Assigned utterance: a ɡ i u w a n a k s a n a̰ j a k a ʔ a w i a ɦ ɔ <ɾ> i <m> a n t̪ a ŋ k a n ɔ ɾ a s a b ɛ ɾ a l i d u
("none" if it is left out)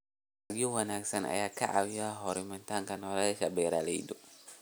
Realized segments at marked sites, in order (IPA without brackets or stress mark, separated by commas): ɾ, m